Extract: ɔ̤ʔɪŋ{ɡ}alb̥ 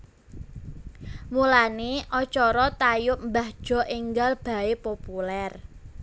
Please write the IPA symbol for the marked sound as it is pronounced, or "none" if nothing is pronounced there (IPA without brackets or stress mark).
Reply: ɡ